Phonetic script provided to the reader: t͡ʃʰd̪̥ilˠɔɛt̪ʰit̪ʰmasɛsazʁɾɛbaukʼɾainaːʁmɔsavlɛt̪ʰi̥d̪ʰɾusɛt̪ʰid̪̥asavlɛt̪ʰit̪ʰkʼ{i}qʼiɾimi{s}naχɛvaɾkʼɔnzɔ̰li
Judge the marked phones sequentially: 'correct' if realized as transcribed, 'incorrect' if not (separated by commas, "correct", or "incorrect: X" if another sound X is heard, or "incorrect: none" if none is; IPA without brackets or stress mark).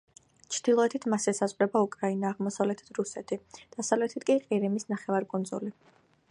correct, correct